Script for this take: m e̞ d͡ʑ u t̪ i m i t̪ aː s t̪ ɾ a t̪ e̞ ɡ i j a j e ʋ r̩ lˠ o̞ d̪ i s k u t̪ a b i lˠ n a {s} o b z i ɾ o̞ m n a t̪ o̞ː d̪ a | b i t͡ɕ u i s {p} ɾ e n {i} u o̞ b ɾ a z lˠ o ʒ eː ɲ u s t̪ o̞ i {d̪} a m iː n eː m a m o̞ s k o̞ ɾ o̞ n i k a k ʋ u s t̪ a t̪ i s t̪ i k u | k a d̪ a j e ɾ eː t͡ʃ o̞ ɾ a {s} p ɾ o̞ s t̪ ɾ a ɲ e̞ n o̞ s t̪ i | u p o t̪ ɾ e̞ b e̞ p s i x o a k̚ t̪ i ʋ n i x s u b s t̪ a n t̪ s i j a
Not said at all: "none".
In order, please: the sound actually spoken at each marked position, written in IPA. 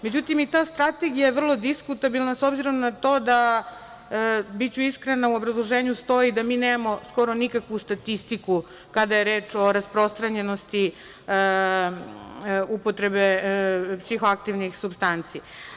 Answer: s, k, a, d̪, s

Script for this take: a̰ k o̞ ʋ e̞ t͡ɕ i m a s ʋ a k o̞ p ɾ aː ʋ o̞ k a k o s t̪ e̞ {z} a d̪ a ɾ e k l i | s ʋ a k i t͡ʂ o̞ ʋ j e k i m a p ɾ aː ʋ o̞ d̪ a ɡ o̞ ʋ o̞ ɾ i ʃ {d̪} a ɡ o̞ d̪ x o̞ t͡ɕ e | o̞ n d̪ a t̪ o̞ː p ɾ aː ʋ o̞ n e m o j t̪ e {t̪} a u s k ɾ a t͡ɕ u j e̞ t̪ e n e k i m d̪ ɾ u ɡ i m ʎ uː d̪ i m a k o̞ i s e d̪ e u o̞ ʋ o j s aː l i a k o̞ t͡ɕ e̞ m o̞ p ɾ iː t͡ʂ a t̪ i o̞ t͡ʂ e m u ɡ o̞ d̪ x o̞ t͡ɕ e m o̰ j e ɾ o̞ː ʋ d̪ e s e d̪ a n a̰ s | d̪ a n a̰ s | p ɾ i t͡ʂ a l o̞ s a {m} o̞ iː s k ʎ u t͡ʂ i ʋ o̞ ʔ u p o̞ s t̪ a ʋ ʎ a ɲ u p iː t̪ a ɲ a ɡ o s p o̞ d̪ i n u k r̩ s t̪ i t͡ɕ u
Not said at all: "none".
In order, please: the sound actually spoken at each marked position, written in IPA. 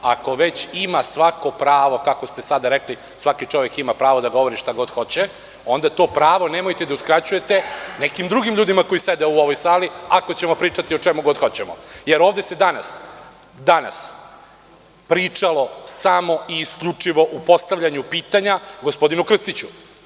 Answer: s, t̪, d̪, m

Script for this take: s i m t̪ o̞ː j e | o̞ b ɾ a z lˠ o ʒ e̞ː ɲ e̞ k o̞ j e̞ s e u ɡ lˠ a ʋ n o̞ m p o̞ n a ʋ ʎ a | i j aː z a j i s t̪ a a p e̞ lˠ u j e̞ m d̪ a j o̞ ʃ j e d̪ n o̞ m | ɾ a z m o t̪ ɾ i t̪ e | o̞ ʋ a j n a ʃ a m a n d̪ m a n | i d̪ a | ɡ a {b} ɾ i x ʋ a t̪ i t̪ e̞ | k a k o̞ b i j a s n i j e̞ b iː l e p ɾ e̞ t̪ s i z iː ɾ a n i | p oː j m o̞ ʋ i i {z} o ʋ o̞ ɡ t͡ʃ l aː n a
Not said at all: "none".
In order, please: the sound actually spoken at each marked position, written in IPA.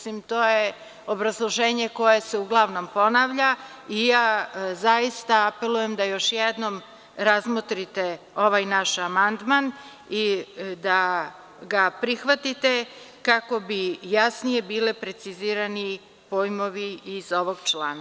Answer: p, z

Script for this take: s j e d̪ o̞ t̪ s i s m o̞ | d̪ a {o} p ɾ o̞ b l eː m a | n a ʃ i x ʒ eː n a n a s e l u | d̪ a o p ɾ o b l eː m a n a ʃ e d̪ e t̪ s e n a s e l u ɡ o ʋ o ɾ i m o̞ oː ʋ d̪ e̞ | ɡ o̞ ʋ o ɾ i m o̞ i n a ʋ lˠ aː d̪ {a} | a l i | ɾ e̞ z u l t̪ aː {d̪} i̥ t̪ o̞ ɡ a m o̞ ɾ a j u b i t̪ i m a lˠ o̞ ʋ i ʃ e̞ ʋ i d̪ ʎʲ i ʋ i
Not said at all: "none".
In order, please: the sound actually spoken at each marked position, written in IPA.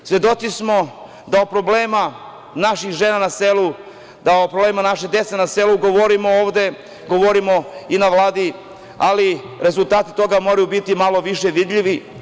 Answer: o, i, t̪

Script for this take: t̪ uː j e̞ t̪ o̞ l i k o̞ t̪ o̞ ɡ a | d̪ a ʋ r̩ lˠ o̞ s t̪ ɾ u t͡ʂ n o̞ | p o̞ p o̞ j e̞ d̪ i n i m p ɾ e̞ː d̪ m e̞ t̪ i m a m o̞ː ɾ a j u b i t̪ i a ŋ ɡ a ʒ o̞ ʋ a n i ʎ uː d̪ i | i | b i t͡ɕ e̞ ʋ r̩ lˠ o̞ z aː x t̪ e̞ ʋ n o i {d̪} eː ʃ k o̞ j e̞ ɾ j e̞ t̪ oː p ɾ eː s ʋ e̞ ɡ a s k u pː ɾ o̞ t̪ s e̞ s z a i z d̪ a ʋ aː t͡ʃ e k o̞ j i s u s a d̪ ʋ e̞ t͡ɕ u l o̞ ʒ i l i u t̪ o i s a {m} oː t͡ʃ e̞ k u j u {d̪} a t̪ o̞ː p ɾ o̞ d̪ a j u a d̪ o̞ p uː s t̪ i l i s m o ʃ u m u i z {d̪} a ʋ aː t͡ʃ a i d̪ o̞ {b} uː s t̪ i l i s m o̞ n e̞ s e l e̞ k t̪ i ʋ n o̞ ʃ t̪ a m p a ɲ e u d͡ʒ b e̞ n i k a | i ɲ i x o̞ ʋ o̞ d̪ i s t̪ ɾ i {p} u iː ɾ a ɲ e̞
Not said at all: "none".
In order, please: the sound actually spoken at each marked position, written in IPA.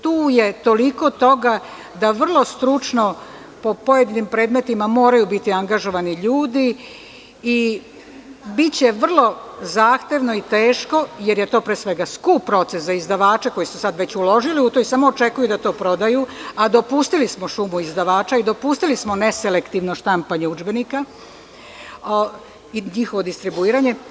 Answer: t̪, m, d̪, d̪, p, b

